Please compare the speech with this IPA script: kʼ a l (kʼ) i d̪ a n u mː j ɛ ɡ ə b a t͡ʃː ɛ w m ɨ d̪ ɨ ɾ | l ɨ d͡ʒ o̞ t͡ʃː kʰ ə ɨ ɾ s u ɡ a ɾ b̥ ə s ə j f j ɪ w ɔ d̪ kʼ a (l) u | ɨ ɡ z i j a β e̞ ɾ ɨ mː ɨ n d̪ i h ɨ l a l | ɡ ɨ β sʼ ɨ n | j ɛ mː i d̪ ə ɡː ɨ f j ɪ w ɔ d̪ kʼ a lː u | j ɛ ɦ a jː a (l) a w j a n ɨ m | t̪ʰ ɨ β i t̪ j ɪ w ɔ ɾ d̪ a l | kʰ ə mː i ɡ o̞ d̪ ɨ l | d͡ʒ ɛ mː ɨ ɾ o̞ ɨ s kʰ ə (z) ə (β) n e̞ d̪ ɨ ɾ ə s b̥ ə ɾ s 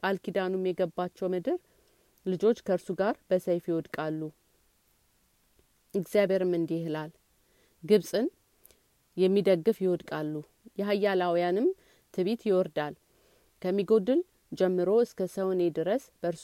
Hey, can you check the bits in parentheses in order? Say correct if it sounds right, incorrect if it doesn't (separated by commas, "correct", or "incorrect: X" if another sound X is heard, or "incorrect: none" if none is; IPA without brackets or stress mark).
incorrect: k, incorrect: lː, correct, incorrect: s, incorrect: w